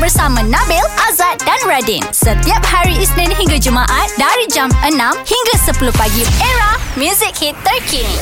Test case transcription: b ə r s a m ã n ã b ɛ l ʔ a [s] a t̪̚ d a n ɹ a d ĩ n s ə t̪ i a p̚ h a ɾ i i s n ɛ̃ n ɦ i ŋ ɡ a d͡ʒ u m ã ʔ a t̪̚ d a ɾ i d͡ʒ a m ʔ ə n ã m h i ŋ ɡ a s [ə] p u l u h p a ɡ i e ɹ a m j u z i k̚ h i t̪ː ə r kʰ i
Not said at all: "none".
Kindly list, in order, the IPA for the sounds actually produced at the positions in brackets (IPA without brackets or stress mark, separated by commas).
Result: z, ə